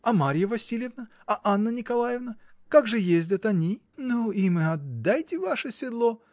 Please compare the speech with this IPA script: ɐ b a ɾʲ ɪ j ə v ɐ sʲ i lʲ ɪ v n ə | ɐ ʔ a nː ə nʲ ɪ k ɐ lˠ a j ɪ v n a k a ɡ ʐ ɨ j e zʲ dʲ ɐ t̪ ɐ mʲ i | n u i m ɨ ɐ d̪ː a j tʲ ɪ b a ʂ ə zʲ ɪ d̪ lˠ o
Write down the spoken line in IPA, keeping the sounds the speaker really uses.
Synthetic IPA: ɐ m a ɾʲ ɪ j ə v ɐ sʲ i lʲ ɪ v n ə | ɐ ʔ a nː ə nʲ ɪ k ɐ lˠ a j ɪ v n ə k a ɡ ʐ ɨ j e zʲ dʲ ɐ t̪ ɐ nʲ i | n u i m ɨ ɐ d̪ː a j tʲ ɪ v a ʂ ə sʲ ɪ d̪ lˠ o